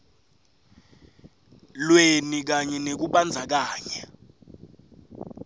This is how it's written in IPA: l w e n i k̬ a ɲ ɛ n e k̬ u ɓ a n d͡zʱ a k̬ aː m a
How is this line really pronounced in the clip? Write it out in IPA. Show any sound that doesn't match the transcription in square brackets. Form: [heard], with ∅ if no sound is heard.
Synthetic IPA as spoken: l w e n i k̬ a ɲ ɛ n e k̬ u ɓ a n d͡zʱ a k̬ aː [ɲ] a